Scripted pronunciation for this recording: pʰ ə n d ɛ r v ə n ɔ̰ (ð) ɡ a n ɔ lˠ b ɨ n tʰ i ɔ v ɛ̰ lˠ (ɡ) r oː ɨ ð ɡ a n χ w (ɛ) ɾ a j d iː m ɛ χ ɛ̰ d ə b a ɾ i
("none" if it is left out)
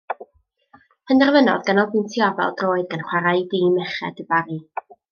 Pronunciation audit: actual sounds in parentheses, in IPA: ð, d, a

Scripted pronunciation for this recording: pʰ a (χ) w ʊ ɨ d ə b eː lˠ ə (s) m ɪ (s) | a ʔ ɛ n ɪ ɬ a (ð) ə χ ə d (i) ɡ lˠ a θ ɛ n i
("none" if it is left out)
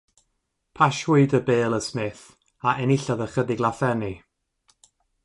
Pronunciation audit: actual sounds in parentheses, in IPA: ʃ, s, θ, ð, ɪ

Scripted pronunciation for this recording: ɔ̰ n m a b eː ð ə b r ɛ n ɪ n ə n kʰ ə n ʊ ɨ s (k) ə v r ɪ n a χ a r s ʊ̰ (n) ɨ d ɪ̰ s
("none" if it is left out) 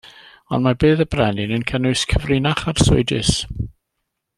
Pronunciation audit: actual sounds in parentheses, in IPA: kʰ, none

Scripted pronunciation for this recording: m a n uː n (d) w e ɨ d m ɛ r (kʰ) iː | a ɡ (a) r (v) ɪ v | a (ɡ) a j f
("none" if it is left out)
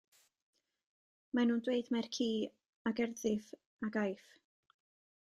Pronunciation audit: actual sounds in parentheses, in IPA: d, kʰ, ɛ, ð, ɡ

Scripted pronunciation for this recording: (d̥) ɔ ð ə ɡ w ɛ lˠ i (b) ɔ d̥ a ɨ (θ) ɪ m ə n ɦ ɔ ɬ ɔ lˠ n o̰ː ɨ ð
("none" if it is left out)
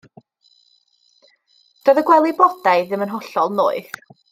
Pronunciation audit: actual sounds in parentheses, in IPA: d̥, b, ð

